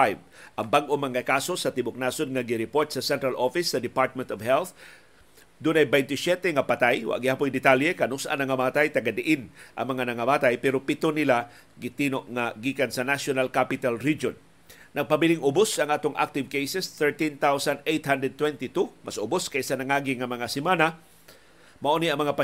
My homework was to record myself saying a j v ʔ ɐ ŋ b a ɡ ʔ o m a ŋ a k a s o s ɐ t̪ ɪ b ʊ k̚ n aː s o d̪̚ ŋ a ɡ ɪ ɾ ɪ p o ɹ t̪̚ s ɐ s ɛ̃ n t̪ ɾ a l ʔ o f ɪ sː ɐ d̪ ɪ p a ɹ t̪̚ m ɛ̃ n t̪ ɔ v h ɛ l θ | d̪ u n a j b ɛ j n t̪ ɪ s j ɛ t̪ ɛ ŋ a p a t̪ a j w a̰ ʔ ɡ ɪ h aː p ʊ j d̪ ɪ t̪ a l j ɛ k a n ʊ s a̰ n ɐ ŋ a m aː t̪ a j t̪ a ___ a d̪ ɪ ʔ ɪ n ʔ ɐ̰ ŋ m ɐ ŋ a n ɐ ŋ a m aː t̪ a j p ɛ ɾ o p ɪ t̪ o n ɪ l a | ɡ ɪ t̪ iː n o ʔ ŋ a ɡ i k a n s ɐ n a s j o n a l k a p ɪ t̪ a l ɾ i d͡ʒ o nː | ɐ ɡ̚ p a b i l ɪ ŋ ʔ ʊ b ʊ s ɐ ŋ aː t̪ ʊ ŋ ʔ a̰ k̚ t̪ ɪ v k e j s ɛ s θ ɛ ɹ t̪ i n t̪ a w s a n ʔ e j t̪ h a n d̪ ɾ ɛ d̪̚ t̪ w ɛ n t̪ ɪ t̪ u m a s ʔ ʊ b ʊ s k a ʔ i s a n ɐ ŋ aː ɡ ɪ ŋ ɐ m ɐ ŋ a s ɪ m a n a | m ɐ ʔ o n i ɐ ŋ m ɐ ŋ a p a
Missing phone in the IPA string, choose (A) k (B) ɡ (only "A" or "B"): B